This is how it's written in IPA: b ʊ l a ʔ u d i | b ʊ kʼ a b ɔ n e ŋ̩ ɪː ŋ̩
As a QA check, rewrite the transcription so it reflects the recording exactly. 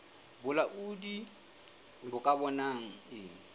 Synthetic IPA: b ʊ l a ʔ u d i | b ʊ kʼ a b ɔ n a ŋ̩ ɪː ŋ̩